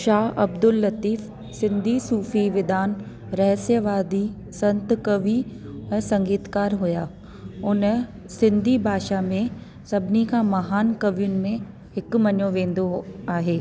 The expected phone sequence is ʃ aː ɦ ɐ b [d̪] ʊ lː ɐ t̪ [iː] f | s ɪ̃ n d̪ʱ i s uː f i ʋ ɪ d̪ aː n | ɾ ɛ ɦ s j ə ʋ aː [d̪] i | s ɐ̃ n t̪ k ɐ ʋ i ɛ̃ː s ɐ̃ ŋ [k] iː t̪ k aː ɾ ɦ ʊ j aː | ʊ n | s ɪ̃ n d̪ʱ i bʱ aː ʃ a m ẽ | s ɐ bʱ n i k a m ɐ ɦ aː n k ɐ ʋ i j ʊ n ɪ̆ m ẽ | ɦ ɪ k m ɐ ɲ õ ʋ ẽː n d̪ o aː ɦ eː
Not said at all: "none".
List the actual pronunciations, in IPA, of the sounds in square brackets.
d̪, iː, d̪, ɡ

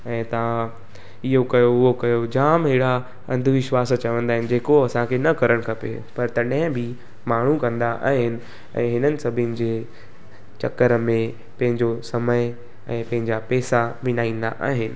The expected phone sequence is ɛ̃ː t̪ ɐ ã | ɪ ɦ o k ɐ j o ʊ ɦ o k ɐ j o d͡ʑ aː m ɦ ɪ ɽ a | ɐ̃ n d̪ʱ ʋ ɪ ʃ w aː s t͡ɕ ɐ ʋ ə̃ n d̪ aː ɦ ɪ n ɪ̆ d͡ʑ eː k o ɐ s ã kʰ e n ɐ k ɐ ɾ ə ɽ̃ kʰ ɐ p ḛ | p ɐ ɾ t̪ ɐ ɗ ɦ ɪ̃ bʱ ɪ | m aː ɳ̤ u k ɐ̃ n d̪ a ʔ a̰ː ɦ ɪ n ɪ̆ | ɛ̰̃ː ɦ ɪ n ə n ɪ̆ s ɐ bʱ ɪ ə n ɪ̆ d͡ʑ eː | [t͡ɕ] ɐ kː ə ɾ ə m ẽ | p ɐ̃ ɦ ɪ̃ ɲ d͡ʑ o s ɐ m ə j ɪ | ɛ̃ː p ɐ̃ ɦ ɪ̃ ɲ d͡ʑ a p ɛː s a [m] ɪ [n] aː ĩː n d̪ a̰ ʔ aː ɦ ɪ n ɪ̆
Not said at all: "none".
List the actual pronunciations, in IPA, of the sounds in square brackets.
t͡ɕ, m, n

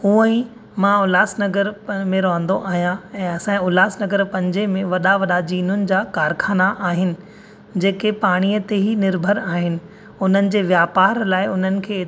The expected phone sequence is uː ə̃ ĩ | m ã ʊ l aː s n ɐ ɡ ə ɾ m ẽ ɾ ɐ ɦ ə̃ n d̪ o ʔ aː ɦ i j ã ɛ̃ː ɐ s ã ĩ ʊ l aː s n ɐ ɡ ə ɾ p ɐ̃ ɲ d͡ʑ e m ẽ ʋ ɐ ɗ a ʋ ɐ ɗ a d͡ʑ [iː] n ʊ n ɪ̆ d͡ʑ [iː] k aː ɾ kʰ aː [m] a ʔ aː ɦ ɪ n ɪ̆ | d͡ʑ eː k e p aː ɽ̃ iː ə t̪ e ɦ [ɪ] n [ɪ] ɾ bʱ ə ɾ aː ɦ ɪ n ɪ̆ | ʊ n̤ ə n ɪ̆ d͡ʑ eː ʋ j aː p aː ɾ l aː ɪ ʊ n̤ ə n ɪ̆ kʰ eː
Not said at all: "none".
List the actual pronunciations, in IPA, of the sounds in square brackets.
iː, aː, n, i, ɪ

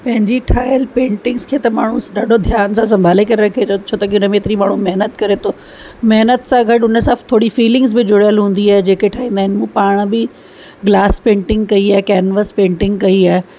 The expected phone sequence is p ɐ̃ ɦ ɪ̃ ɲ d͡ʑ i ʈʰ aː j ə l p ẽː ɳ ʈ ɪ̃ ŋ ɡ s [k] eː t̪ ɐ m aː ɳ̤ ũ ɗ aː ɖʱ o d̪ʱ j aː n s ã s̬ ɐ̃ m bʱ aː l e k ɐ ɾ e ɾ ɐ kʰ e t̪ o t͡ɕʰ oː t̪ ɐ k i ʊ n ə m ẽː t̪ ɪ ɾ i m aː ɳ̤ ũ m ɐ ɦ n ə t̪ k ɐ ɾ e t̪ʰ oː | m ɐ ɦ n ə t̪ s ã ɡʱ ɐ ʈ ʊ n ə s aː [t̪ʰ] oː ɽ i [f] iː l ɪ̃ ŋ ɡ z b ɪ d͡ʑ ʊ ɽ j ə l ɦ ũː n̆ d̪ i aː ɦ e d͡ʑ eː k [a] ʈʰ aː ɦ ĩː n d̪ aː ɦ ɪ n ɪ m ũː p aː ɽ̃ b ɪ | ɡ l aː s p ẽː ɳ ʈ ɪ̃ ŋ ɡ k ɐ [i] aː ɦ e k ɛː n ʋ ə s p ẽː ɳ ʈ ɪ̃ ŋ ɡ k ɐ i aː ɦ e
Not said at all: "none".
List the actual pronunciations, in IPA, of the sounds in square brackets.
kʰ, t̪ʰ, f, e, i

